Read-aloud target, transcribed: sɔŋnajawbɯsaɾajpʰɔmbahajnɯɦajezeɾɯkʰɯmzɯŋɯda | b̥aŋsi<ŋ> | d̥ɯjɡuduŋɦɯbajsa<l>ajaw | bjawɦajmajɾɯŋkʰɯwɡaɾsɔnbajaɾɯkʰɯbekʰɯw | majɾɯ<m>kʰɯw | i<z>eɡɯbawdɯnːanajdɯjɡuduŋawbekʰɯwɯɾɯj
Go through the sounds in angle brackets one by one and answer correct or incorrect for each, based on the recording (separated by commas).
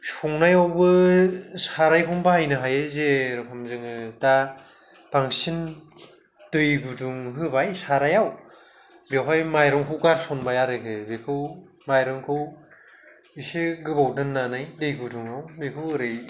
incorrect, incorrect, incorrect, incorrect